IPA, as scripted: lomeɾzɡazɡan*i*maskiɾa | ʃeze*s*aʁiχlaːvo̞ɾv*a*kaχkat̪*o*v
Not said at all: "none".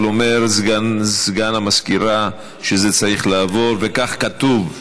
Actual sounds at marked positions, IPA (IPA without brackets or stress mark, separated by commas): a, t͡s, e, u